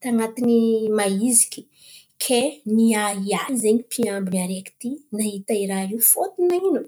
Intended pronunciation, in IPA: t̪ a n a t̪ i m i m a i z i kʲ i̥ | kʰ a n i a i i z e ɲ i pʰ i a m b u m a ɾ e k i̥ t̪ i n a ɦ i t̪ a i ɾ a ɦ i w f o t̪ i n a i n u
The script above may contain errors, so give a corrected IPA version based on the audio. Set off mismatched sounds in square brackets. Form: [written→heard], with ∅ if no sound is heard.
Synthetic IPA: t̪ a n a t̪ i [m→n] i m a i z i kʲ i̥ | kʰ [a→e] n i a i [i→a] z e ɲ i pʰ i a m b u [m→n] a ɾ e k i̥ t̪ i n a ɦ i t̪ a i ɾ a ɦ i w f o t̪ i n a i n u